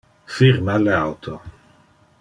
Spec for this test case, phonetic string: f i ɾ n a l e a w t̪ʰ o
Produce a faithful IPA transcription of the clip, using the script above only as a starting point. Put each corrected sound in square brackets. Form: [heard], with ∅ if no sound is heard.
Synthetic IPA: f i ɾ [m] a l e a w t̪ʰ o